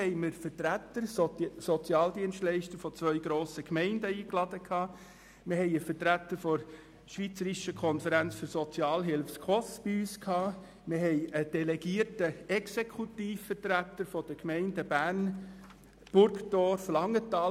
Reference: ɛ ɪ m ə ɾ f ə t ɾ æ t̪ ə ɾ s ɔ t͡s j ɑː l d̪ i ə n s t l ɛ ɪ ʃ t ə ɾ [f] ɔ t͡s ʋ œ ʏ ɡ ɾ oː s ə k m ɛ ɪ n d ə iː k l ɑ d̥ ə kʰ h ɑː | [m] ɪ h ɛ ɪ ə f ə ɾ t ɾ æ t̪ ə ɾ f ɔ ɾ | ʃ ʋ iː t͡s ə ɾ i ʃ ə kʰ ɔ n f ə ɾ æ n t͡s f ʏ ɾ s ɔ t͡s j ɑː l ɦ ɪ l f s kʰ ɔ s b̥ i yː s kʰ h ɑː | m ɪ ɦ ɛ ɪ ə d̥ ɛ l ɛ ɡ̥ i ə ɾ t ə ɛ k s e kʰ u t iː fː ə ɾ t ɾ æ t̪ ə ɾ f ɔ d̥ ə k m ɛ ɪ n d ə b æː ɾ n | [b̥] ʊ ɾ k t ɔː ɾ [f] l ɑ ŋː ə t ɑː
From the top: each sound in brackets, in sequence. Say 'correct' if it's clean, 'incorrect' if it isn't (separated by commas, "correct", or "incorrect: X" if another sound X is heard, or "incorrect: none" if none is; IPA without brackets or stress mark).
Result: correct, correct, correct, correct